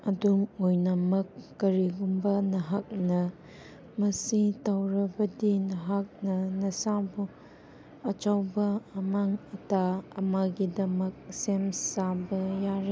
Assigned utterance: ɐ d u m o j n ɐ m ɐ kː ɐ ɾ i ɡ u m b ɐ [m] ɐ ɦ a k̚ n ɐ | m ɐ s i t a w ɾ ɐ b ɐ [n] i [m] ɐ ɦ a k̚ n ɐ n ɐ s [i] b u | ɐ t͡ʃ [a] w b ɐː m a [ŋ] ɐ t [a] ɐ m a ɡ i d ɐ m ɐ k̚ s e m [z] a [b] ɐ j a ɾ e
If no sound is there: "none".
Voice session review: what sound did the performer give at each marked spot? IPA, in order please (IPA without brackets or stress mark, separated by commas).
n, d, n, a, a, ŋ, a, s, b